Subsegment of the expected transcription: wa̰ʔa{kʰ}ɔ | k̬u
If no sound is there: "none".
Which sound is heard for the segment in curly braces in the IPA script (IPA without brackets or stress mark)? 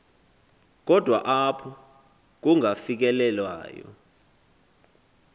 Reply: pʰ